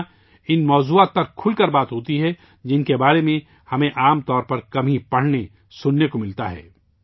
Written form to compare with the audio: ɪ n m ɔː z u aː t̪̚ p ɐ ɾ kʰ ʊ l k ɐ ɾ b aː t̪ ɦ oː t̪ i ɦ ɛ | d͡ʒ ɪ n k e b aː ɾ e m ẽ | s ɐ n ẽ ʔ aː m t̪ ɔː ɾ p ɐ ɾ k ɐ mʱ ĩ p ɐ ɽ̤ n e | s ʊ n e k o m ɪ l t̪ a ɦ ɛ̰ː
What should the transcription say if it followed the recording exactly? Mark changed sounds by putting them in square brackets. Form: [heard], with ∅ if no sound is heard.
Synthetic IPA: ɪ n m ɔː z u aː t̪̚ p ɐ ɾ kʰ ʊ l k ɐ ɾ b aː t̪ ɦ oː t̪ i ɦ ɛ | d͡ʒ ɪ n k e b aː ɾ e m ẽ | [h] ɐ [m] ẽ ʔ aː m t̪ ɔː ɾ p ɐ ɾ k ɐ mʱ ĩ p ɐ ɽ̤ n e | s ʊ [nː] e k o m ɪ l t̪ a ɦ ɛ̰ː